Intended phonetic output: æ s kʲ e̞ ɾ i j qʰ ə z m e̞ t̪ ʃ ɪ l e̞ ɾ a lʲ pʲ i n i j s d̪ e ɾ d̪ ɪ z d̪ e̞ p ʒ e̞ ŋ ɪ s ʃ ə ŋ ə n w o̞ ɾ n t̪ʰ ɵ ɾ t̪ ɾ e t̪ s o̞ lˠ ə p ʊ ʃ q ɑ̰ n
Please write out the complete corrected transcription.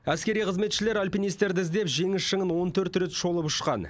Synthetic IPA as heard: æ s kʲ e̞ ɾ i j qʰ ə z m e̞ t̪ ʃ ɪ l e̞ ɾ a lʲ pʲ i n i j s t̪ e ɾ d̪ ɪ z d̪ e̞ p ʒ e̞ ŋ ɪ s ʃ ə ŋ ə n w o̞ n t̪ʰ ɵ ɾ t̪ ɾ e t̪ ʃ o̞ lˠ ə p ʊ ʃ q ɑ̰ n